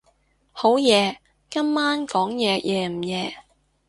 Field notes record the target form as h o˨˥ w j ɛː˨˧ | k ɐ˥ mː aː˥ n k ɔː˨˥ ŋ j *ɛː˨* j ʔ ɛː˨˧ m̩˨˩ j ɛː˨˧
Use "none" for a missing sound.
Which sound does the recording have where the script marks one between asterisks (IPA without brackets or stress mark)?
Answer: ɛː˨